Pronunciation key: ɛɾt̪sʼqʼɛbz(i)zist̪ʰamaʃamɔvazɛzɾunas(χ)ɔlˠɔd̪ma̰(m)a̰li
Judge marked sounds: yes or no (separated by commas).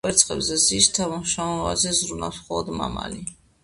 no, yes, yes